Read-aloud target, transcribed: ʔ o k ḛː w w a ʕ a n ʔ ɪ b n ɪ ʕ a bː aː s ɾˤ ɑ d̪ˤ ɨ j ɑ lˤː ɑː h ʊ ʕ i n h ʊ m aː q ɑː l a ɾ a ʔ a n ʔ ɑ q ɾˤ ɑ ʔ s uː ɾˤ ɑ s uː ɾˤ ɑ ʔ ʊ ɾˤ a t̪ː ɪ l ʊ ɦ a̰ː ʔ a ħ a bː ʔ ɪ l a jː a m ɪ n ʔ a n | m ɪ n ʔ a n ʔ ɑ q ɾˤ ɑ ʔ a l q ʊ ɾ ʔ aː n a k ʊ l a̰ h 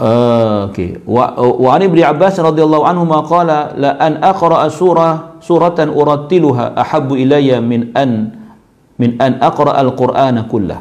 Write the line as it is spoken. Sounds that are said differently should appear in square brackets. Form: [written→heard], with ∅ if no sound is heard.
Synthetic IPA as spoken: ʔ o k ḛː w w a ʕ a n ʔ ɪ b n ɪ ʕ a bː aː s ɾˤ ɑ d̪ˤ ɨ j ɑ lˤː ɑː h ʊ ʕ [i→a] n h ʊ m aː q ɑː l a [ɾ→l] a ʔ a n ʔ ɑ q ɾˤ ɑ ʔ s uː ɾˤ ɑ s uː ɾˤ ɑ ʔ ʊ ɾˤ [a→ɑ] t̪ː ɪ l ʊ ɦ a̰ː ʔ a ħ a bː ʔ ɪ l a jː a m ɪ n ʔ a n | m ɪ n ʔ a n ʔ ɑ q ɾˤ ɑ ʔ a l q ʊ ɾ ʔ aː n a k ʊ [l→lː] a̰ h